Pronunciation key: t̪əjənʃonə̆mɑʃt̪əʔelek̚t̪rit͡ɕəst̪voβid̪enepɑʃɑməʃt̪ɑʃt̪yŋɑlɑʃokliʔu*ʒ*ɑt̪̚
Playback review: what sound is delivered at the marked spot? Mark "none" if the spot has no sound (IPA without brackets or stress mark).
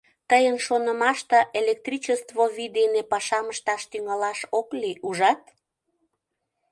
ʒ